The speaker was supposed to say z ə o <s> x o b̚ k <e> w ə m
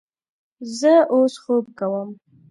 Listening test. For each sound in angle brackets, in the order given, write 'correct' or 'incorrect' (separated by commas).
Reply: correct, incorrect